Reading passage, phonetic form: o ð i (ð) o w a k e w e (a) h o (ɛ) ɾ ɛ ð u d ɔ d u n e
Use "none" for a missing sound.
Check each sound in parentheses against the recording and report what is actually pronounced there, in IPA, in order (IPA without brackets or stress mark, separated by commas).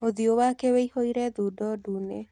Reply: none, i, i